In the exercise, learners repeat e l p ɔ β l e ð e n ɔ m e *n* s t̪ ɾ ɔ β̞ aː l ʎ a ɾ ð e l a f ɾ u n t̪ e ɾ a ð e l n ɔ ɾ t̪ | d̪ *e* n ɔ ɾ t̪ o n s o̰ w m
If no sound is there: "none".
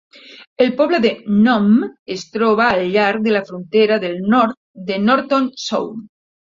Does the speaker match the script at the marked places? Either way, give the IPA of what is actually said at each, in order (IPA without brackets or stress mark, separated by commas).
none, e